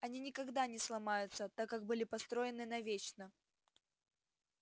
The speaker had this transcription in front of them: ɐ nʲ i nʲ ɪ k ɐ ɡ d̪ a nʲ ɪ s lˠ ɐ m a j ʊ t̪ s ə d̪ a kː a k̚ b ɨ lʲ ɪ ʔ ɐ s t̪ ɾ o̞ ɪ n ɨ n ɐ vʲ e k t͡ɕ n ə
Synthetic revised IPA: ɐ nʲ i nʲ ɪ k ɐ ɡ d̪ a nʲ ɪ s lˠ ɐ m a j ʊ t̪ s ə t̪ a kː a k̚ b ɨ lʲ ɪ p ɐ s t̪ ɾ o̞ ɪ n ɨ n ɐ vʲ e t͡ɕ n ə